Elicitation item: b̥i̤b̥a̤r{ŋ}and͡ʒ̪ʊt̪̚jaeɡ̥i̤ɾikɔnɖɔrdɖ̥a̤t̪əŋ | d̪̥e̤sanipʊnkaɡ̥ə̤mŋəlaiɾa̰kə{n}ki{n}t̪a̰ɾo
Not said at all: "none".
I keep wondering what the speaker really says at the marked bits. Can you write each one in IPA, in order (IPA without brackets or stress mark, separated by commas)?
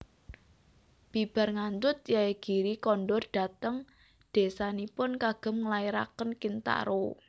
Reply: ŋ, n, n